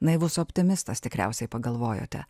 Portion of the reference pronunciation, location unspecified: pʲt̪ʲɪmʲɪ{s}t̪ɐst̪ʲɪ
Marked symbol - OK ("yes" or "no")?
yes